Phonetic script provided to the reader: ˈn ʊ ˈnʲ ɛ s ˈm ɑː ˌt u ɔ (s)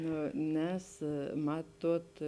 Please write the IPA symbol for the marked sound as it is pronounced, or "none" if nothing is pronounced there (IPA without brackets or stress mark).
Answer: t